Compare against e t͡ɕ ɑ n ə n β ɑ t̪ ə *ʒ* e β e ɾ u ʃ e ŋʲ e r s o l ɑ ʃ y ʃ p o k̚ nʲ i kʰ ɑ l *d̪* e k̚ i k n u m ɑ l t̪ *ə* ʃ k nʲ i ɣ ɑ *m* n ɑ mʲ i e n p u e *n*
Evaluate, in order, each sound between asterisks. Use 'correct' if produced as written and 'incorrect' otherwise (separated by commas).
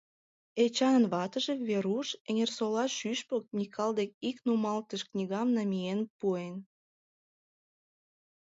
correct, correct, correct, correct, correct